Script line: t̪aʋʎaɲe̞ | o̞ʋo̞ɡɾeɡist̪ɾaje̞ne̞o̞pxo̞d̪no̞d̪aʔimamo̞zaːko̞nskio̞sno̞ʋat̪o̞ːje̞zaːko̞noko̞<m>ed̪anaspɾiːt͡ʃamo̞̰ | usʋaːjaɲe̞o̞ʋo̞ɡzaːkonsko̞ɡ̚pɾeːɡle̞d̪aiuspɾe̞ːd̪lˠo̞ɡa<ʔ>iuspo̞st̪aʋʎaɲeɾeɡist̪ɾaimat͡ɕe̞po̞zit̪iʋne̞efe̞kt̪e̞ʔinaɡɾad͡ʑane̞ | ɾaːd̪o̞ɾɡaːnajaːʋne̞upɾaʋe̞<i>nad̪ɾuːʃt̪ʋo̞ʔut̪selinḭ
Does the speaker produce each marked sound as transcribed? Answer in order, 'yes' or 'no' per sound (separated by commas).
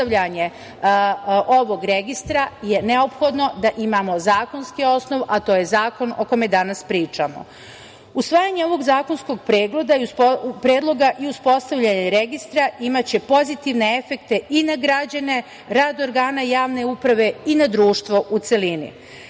yes, yes, yes